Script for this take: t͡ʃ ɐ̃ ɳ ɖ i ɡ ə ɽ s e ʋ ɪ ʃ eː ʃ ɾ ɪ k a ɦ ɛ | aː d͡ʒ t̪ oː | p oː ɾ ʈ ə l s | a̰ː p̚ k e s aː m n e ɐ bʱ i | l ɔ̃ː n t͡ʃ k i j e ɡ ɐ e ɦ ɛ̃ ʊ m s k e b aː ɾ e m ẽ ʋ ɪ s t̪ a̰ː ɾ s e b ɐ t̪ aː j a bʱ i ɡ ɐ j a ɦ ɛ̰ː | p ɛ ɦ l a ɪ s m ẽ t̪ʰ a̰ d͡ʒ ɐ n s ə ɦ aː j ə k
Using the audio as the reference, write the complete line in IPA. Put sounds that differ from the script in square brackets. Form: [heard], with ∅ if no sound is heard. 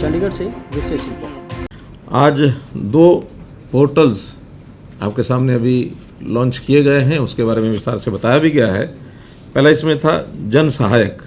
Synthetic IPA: t͡ʃ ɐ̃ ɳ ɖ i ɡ ə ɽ s e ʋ ɪ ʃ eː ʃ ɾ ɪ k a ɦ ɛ | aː d͡ʒ [d̪] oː | p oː ɾ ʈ ə l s | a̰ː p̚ k e s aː m n e ɐ bʱ i | l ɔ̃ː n t͡ʃ k i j e ɡ ɐ e ɦ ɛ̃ ʊ [∅] s k e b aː ɾ e m ẽ ʋ ɪ s t̪ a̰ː ɾ s e b ɐ t̪ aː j a bʱ i ɡ ɐ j a ɦ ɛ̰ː | p ɛ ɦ l a ɪ s m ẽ t̪ʰ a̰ d͡ʒ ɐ n s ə ɦ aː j ə k